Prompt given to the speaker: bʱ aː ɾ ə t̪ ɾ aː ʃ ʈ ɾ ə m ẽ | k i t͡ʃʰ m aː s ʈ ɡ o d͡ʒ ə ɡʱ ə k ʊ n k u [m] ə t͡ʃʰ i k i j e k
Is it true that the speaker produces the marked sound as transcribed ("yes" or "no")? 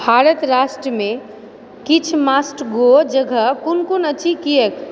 no